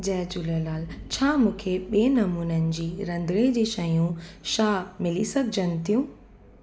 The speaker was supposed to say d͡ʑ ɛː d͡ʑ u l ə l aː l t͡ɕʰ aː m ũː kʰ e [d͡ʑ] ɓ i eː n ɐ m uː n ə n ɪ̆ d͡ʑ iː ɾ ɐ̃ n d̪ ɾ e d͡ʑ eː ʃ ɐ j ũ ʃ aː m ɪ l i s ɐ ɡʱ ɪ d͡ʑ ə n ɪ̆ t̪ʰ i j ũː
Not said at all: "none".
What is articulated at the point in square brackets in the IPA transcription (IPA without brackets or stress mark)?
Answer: none